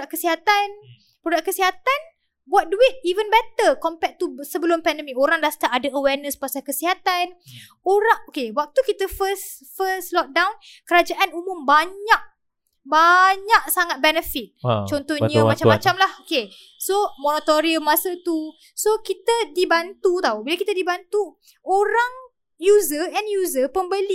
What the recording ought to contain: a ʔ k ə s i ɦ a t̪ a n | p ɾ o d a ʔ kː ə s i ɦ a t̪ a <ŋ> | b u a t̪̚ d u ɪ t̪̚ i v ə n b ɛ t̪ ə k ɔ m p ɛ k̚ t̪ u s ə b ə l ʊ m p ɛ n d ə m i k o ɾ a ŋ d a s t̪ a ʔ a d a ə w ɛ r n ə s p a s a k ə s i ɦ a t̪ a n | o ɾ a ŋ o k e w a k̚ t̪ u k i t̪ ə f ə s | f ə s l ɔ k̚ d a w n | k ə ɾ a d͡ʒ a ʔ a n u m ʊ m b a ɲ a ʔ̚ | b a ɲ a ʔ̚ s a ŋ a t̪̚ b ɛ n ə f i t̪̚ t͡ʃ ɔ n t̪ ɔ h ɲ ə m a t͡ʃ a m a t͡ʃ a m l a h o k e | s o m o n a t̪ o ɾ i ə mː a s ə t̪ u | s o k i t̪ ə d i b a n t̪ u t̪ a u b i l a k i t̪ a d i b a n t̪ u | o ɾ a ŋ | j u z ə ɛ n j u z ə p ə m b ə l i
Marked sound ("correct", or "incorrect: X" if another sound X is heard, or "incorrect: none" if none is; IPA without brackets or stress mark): incorrect: n